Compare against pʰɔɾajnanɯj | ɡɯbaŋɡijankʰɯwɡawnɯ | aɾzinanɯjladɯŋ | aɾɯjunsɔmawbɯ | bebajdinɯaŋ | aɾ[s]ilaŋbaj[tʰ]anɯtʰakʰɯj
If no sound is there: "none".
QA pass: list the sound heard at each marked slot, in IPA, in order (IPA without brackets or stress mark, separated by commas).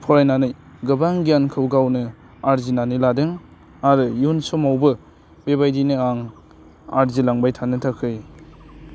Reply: z, tʰ